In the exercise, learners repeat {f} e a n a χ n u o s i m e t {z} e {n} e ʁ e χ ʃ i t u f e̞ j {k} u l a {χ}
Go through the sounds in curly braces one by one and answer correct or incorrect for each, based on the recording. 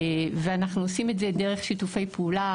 incorrect: v, correct, incorrect: d, incorrect: p, incorrect: none

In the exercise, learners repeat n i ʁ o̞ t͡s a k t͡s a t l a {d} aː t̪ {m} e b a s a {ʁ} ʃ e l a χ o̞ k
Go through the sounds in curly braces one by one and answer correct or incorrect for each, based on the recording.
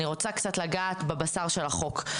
incorrect: ɡ, incorrect: b, correct

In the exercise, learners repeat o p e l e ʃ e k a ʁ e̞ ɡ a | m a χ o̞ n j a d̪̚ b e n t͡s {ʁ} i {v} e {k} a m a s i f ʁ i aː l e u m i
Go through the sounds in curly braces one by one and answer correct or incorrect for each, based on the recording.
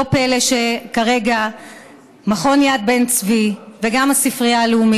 incorrect: v, correct, incorrect: ɡ

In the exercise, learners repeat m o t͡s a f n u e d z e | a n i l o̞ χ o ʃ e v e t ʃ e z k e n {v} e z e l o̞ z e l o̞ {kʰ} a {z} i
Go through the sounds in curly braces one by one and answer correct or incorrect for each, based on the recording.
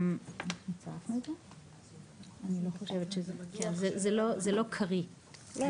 incorrect: z, correct, incorrect: ʁ

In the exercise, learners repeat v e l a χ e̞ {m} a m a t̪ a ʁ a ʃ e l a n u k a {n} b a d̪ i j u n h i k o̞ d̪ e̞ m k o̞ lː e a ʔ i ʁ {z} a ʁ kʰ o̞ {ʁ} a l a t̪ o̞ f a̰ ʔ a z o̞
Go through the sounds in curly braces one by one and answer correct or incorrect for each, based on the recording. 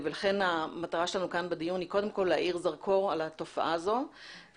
incorrect: n, correct, correct, correct

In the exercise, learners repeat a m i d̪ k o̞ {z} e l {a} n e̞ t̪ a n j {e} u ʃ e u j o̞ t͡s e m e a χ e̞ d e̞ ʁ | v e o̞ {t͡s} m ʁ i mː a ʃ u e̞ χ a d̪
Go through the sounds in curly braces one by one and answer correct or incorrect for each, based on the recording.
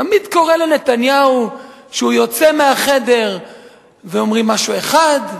incorrect: ʁ, incorrect: e, incorrect: a, incorrect: none

